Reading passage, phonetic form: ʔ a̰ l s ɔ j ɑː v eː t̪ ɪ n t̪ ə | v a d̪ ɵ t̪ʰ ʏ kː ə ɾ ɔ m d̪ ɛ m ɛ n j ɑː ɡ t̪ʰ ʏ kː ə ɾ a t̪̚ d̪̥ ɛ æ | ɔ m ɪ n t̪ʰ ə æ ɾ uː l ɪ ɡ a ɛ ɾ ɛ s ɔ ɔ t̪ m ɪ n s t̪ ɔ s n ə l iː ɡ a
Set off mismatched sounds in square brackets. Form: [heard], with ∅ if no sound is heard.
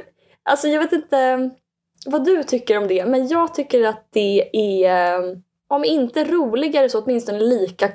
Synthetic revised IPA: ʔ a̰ l s ɔ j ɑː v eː t̪ ɪ n t̪ ə | v a d̪ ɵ t̪ʰ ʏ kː ə ɾ ɔ m d̪ ɛ m ɛ n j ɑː ɡ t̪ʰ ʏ kː ə ɾ a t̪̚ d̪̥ ɛ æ | ɔ m ɪ n [t̪] ə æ ɾ uː l ɪ ɡ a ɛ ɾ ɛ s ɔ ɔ t̪ m ɪ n s t̪ ɔ [∅] n ə l iː [k] a